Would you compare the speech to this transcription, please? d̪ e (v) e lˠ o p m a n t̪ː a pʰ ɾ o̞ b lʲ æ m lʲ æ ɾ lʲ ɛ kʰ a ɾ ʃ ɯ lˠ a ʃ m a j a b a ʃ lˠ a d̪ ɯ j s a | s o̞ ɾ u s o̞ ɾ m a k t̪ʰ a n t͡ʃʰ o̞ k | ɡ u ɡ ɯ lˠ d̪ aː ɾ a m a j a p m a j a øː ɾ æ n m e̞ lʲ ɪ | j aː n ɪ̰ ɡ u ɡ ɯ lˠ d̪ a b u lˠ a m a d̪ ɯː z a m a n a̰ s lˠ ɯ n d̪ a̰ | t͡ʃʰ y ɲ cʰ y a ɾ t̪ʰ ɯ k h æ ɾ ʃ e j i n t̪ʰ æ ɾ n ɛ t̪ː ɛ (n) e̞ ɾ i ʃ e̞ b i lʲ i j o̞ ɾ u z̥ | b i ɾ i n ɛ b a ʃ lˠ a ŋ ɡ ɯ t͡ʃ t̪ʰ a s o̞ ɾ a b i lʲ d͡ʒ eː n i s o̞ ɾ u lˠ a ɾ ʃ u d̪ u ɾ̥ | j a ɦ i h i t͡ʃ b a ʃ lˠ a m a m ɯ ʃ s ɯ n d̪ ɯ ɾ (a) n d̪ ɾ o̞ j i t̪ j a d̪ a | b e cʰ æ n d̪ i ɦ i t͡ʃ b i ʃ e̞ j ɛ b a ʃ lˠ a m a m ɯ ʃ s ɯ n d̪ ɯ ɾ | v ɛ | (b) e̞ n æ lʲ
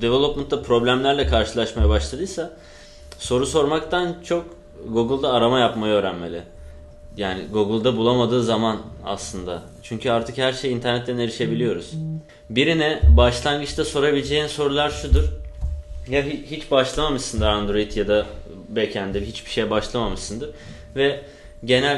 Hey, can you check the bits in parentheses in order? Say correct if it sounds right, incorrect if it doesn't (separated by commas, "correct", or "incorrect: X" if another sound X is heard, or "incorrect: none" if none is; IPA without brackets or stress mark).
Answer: correct, correct, correct, incorrect: ɟ